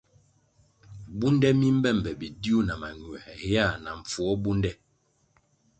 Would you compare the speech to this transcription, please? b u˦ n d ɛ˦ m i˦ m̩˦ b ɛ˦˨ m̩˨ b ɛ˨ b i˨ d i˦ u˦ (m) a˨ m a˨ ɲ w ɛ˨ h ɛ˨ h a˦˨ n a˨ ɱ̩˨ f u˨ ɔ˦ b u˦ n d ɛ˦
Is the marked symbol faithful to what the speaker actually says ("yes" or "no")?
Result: no